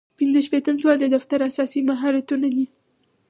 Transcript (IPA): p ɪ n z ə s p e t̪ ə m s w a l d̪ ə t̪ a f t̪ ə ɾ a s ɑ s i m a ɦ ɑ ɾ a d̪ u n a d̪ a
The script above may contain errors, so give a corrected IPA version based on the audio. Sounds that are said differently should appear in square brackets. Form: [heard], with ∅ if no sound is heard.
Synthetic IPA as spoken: p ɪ n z ə [ʃ] p e t̪ ə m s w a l d̪ ə [d̪] a f t̪ [a] ɾ a s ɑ s i m a ɦ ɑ ɾ a [t̪] u n a d̪ [i]